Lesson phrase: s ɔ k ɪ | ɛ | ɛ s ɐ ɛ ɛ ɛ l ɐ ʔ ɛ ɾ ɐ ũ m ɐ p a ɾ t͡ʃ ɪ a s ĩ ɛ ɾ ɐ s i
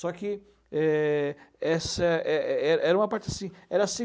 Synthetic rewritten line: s ɔ k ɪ | ɛ | ɛ s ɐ ɛ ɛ ɛ ɾ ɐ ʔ ɛ ɾ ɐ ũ m ɐ p a ɾ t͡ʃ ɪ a s ĩ ɛ ɾ ɐ s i